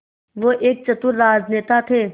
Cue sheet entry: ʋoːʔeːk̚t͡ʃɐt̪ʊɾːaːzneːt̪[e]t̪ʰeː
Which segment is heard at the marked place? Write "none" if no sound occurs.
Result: a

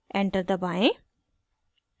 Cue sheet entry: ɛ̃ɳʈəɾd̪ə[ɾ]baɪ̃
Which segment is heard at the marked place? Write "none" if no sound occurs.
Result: none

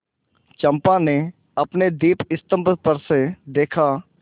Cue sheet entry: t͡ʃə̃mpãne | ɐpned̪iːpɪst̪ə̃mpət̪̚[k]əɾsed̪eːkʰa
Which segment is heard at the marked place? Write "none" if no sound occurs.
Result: p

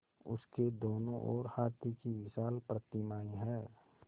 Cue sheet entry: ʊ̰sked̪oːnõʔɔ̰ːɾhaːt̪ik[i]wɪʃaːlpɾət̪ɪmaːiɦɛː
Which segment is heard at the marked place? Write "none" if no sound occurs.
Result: i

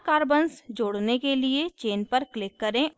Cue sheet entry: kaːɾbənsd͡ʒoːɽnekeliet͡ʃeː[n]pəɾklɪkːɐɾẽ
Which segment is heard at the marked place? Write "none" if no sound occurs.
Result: n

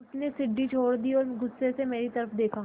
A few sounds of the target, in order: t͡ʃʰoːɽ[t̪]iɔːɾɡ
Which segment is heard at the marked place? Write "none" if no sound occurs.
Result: d̪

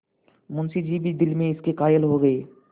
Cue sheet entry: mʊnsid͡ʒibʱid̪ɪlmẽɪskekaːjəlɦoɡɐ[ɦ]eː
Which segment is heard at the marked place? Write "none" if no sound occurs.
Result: none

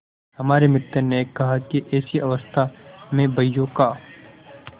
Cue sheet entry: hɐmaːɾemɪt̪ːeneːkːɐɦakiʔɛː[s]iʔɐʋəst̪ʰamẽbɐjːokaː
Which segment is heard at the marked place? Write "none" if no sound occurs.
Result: s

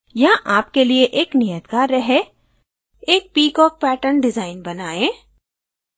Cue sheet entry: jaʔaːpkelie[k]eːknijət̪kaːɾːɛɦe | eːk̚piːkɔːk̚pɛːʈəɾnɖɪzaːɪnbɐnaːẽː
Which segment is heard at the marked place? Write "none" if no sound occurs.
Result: ʔ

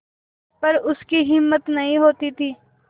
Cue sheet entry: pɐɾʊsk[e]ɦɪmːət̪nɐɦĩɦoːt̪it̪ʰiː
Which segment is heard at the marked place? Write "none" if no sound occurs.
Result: i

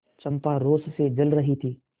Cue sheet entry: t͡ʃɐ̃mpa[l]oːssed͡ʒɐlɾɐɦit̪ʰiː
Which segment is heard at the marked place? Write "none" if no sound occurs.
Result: ɾ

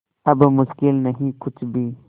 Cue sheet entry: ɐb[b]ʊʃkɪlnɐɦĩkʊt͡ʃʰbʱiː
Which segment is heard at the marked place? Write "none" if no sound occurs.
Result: m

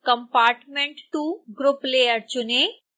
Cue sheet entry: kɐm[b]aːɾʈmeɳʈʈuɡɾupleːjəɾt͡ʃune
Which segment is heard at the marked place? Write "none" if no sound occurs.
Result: p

